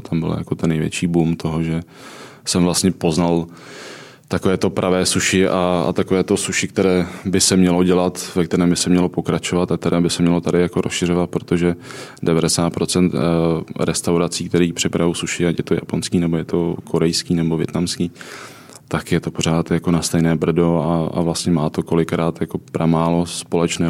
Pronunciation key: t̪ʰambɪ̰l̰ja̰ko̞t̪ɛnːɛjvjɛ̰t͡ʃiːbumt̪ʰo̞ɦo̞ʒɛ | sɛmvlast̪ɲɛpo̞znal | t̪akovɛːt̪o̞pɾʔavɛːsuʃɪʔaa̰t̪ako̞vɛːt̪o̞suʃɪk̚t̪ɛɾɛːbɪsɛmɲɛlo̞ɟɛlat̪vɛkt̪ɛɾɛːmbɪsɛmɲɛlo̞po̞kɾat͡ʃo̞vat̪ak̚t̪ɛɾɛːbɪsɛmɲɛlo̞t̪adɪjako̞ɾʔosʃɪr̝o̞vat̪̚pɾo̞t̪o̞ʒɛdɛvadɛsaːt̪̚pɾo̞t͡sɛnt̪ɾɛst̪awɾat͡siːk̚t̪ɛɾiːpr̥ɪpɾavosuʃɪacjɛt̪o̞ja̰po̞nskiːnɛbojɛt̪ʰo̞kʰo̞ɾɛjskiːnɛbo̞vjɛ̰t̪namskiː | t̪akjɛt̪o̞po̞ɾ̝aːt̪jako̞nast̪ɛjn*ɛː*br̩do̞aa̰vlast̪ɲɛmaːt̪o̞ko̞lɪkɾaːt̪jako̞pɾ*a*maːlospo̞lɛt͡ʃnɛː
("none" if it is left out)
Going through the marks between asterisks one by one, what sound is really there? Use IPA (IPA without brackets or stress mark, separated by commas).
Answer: ɛː, a